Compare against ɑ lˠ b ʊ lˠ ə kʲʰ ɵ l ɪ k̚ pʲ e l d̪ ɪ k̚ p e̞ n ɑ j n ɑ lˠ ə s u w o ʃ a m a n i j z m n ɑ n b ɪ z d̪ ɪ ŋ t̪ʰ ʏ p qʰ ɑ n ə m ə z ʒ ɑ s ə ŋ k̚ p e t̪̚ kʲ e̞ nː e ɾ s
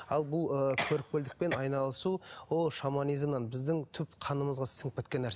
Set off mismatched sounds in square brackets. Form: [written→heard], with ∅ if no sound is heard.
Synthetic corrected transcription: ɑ lˠ b ʊ lˠ ə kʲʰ ɵ [l→ɾ] ɪ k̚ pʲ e l d̪ ɪ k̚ p e̞ n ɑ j n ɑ lˠ ə s u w o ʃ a m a n i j z m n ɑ n b ɪ z d̪ ɪ ŋ t̪ʰ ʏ p qʰ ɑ n ə m ə z [ʒ→ʁ] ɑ s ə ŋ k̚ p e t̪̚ kʲ e̞ nː [e→æ] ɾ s